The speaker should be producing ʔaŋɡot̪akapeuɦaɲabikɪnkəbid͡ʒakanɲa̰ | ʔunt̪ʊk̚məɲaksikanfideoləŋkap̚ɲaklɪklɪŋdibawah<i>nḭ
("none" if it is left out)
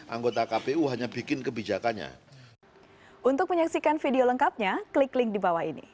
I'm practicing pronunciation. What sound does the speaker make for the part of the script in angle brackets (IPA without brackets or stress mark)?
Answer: i